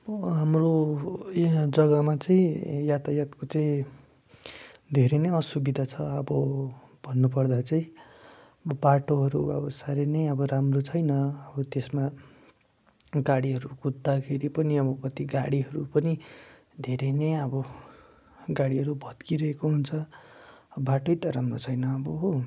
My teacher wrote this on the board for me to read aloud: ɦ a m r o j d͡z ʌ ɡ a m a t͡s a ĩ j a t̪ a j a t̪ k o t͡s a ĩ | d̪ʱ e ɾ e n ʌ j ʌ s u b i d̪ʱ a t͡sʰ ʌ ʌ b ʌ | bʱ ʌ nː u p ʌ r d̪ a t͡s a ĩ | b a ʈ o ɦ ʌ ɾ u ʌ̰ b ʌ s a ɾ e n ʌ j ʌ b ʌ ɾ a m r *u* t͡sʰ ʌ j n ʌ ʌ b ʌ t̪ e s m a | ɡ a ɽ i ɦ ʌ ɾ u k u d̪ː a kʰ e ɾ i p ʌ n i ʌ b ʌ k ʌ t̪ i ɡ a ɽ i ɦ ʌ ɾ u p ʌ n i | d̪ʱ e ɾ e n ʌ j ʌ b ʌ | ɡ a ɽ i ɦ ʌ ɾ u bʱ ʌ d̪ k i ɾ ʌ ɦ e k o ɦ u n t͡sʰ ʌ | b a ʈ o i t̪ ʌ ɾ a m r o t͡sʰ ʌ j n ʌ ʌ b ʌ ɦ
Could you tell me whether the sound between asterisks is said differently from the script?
yes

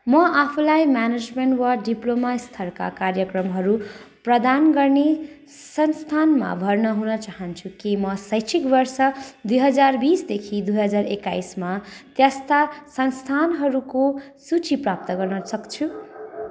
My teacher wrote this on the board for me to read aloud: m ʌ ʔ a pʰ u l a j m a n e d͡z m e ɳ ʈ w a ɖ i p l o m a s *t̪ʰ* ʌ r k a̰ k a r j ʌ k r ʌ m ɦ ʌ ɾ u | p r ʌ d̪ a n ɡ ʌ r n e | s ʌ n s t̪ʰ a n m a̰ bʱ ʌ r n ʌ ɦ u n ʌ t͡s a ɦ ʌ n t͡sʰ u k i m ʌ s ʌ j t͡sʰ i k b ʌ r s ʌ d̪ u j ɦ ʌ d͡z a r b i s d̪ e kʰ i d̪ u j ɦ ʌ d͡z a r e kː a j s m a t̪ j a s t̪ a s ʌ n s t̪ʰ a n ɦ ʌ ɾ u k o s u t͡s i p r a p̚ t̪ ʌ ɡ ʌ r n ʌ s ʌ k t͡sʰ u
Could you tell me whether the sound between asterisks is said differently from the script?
no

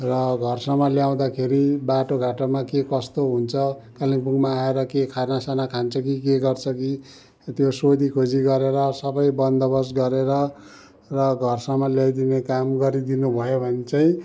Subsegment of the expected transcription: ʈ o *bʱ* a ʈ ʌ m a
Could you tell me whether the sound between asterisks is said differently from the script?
yes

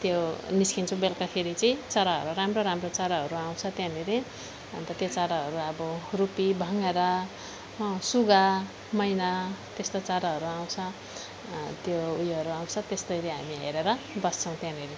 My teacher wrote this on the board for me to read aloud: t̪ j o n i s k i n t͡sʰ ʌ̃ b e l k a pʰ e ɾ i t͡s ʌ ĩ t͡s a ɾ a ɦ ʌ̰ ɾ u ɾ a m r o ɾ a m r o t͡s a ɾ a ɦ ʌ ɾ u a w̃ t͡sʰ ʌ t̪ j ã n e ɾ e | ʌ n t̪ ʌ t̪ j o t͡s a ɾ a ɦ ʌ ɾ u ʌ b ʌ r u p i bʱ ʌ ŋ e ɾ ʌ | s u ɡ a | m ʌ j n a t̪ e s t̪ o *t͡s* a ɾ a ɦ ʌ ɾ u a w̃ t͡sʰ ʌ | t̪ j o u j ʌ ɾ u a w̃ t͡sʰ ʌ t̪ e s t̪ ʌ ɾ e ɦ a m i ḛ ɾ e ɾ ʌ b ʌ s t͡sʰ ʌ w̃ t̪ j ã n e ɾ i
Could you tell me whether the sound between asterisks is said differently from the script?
no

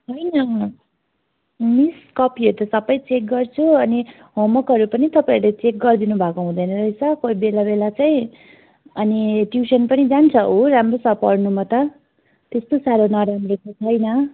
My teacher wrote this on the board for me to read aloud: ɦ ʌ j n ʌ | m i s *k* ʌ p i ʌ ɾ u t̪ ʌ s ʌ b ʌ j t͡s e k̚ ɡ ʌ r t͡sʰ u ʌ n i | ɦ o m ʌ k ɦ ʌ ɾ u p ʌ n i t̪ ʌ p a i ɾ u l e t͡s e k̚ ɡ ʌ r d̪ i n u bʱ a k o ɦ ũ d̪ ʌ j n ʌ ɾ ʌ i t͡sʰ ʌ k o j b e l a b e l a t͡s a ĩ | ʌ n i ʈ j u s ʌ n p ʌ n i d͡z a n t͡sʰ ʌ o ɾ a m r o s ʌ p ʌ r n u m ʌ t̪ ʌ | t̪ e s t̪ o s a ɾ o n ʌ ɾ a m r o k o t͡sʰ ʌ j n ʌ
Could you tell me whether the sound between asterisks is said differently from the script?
no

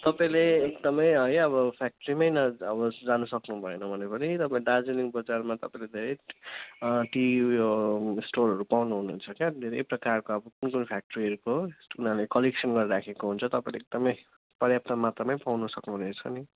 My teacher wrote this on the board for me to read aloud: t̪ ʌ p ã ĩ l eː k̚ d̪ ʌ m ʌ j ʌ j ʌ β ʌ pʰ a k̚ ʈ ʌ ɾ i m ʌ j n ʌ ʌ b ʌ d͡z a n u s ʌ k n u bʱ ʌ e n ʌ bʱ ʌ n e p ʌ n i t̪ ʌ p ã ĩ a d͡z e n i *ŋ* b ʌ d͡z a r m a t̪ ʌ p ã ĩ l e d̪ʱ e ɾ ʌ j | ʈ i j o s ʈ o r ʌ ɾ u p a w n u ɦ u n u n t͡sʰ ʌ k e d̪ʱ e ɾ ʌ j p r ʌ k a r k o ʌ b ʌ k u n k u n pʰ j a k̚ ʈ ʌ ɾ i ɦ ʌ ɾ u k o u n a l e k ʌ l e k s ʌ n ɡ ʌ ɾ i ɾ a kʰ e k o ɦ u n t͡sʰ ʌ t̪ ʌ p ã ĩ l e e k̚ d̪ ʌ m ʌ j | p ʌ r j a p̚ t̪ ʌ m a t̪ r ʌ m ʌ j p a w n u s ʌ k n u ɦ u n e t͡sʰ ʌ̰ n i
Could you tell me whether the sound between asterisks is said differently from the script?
no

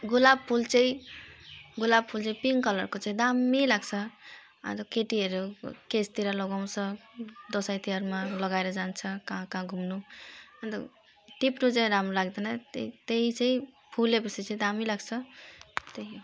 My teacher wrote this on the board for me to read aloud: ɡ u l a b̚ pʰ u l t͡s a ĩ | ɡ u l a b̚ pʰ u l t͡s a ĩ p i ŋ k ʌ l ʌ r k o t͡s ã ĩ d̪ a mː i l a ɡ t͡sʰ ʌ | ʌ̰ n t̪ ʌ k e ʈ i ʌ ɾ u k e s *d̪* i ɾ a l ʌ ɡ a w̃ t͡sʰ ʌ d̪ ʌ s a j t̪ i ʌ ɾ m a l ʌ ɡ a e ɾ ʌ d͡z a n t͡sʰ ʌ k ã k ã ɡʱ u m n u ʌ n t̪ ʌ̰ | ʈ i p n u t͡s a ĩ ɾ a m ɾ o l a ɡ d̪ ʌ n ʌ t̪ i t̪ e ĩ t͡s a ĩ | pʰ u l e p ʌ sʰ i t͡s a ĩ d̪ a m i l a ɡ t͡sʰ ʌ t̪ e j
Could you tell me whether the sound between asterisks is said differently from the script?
yes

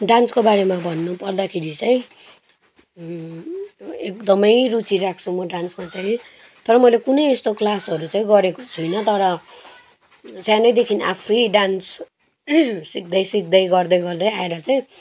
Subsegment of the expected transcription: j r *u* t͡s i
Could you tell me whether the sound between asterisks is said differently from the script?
no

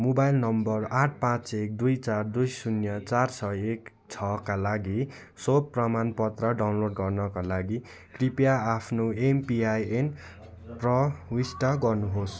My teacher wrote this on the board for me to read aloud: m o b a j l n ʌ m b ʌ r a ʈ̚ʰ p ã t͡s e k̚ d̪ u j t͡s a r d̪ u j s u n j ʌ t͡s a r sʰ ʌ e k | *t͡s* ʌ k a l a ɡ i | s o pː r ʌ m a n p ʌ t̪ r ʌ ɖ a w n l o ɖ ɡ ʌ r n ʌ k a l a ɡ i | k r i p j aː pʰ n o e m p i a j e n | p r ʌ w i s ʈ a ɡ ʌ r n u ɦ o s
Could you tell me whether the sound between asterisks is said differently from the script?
yes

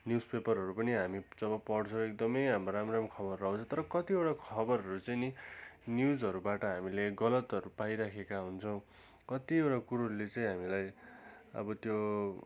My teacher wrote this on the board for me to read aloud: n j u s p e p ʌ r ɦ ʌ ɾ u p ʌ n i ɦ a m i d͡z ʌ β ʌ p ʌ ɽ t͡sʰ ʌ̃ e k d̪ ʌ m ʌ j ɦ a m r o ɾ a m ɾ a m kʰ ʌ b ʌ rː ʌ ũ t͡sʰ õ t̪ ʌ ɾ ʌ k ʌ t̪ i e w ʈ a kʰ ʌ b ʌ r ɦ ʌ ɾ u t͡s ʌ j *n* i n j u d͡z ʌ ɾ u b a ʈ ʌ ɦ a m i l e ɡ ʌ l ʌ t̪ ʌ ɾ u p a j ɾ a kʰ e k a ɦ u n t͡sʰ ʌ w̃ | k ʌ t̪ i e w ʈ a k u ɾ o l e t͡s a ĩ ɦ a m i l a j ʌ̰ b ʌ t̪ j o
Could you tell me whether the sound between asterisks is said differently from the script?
no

